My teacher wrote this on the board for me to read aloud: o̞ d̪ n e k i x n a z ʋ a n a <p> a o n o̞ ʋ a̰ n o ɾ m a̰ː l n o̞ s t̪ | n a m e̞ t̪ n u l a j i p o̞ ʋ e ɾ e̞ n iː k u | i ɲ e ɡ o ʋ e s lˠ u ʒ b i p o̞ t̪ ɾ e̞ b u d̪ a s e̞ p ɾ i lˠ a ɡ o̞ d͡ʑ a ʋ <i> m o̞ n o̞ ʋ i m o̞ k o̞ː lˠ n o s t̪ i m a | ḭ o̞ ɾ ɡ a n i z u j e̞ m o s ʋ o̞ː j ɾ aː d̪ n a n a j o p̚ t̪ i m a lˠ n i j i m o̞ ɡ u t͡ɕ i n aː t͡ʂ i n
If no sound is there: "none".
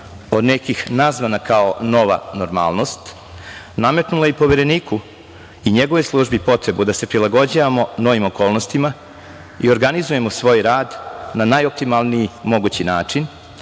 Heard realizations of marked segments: k, a

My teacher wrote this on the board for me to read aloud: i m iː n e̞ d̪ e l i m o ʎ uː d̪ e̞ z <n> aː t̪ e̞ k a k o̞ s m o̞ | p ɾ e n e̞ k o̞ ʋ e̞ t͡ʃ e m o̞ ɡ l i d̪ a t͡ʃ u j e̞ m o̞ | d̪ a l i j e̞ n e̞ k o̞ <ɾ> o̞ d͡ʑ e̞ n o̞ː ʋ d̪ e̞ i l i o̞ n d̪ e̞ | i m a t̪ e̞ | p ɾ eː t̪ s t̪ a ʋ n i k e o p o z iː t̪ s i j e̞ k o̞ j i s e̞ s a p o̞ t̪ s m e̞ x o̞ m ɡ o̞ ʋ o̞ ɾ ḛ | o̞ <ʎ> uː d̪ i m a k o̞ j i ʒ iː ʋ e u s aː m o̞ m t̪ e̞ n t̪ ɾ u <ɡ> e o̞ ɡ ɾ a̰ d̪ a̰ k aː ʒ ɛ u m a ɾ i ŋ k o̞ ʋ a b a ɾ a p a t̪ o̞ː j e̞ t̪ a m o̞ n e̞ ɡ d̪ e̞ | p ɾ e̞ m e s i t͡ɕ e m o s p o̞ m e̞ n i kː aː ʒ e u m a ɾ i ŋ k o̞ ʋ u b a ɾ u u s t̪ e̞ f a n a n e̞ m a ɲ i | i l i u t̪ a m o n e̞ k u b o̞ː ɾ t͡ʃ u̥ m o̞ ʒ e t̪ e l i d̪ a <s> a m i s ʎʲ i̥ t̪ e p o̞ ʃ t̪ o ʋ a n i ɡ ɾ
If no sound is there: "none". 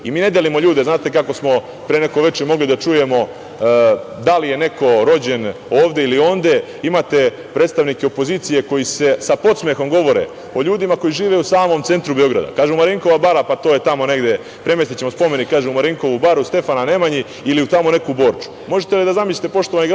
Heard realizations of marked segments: n, ɾ, ʎ, b, z

